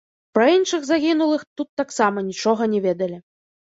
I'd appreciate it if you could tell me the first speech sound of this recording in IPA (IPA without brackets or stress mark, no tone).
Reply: p